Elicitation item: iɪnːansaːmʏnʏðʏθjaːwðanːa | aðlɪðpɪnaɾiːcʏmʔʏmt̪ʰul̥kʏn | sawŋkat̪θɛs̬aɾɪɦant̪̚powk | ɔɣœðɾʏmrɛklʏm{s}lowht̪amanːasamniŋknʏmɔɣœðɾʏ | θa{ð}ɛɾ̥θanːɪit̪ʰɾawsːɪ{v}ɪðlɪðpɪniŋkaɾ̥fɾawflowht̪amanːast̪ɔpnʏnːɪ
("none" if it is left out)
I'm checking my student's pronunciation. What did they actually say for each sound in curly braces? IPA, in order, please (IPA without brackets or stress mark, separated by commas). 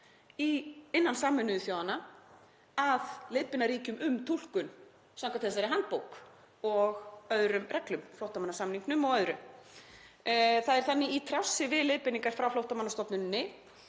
f, ð, v